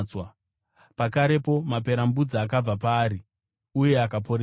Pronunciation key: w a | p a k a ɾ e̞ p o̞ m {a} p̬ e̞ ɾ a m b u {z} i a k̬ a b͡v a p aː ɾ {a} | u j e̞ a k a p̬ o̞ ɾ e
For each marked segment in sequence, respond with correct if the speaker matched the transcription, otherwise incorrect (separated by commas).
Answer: correct, incorrect, incorrect